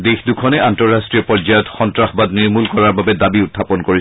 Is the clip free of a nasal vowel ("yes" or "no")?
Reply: yes